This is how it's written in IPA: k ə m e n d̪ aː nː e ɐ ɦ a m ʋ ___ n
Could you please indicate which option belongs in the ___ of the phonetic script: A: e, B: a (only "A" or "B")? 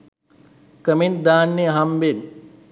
A